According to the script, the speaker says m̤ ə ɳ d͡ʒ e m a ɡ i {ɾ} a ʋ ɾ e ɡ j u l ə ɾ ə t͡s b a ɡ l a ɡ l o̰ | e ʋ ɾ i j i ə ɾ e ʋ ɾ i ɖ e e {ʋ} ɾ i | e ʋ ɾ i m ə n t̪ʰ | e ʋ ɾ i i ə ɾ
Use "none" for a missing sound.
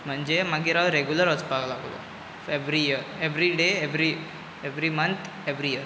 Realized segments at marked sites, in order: ɾ, ʋ

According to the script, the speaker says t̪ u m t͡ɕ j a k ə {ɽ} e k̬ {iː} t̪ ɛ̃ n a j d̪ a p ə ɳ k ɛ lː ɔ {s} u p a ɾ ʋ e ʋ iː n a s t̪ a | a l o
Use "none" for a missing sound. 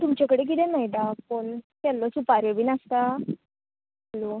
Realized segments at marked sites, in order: ɽ, i, s

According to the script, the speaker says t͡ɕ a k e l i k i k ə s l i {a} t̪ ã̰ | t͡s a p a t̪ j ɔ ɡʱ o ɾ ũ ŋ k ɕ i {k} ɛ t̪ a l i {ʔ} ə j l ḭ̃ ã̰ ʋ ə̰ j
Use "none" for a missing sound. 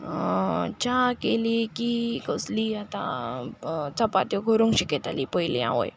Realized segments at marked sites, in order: a, k, p

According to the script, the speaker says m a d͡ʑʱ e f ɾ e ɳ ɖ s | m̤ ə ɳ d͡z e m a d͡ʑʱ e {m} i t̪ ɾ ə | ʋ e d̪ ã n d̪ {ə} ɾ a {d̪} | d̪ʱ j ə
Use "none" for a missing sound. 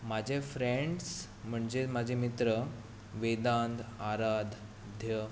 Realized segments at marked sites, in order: m, a, d̪

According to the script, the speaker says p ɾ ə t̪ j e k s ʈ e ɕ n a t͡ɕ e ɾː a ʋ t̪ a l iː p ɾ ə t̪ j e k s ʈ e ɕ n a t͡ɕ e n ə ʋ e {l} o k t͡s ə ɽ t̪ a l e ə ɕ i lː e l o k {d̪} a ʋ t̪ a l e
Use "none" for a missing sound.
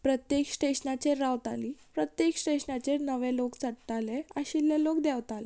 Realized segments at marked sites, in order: l, d̪

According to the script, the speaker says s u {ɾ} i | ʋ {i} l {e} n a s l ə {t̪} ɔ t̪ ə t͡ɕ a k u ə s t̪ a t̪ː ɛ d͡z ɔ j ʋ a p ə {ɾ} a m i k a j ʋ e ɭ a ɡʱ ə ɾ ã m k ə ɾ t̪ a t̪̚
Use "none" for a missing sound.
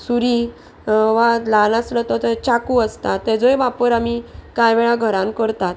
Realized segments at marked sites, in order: ɾ, a, a, t̪, ɾ

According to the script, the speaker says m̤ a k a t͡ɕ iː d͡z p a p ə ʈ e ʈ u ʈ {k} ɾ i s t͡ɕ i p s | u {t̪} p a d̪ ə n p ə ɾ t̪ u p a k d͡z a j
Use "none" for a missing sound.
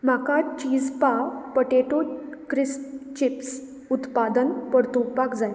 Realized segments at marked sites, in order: k, t̪

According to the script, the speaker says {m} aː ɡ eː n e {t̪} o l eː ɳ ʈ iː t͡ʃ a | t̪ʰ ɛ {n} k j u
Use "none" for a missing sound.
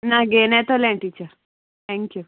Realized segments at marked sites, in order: n, t̪, ŋ

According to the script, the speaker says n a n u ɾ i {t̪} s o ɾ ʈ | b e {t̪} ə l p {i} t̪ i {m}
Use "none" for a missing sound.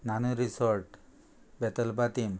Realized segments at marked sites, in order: none, t̪, a, m

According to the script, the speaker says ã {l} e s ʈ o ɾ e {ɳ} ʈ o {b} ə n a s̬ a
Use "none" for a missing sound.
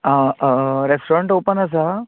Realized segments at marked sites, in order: ɾ, ɳ, p

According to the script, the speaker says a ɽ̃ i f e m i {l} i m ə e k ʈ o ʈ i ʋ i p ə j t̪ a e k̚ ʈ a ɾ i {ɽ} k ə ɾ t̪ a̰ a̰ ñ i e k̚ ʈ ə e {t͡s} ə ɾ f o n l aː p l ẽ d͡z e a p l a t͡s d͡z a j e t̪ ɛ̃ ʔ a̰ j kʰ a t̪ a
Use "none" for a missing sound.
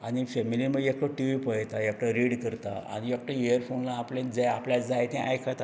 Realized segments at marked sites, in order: l, ɽ, none

